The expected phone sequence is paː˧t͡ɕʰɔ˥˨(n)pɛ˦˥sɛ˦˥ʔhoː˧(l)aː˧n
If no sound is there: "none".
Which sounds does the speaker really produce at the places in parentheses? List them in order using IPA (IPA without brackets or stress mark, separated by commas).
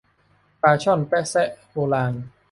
n, l